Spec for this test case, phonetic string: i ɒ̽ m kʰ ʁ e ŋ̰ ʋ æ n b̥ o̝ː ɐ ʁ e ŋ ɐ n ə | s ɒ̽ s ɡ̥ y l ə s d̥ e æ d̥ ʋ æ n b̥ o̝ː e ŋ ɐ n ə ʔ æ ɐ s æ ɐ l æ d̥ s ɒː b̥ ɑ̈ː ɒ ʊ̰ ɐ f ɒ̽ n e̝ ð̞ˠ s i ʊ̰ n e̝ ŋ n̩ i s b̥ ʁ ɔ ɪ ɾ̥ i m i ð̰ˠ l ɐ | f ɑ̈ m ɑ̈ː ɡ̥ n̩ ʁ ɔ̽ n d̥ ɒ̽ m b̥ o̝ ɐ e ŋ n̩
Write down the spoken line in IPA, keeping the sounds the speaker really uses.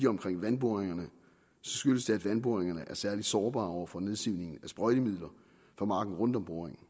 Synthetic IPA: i ɒ̽ m kʰ ʁ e ŋ̰ ʋ æ n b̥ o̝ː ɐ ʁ e ŋ ɐ n ə | s ɒ̽ s ɡ̥ y l ə s d̥ e æ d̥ ʋ æ n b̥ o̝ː e ŋ ɐ n ə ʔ æ ɐ s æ ɐ l i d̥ s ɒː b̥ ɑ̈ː ɒ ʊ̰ ɐ f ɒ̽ n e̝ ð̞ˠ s i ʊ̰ n e̝ ŋ n̩ æ s b̥ ʁ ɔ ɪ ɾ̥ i m i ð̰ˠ l ɐ | f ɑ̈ m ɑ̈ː ɡ̥ n̩ ʁ ɔ̽ n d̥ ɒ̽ m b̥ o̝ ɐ e ŋ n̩